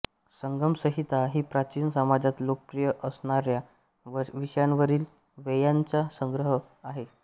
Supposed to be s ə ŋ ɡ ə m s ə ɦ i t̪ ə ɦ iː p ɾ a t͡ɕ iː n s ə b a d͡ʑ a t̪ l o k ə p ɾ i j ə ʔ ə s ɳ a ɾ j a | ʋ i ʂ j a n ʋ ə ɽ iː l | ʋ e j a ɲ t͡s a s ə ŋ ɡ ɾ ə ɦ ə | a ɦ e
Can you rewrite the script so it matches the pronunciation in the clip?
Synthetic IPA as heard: s ə ŋ ɡ ə m s ə ɦ i t̪ a ɦ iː p ɾ a t͡ɕ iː n s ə m a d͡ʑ a t̪ l o k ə p ɾ i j ə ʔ ə s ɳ a ɾ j a | ʋ i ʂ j a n ʋ ə ɾ iː l | ʋ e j a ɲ t͡s a s ə ŋ ɡ ɾ ə ɦ ə | a ɦ e